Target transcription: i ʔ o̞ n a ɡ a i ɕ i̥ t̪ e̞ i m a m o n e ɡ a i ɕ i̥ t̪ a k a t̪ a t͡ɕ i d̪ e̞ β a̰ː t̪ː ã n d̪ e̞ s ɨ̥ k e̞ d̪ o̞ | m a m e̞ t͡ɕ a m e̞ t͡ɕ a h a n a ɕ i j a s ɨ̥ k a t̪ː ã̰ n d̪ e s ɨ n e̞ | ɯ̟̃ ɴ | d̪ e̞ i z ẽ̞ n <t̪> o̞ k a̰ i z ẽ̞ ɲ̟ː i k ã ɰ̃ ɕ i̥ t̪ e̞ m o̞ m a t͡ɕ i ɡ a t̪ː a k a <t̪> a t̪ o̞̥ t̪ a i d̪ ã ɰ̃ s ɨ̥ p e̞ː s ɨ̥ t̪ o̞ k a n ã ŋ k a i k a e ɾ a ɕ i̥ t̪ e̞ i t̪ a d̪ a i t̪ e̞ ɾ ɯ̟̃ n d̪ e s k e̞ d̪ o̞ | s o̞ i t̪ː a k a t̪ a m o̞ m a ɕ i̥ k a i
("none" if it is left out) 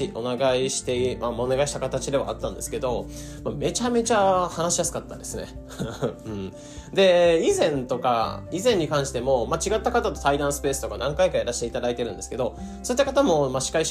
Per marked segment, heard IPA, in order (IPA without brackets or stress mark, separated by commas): t̪, t̪